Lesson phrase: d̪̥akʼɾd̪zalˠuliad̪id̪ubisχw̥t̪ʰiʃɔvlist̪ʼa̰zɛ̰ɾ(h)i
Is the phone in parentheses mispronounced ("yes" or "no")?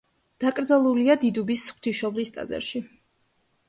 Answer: yes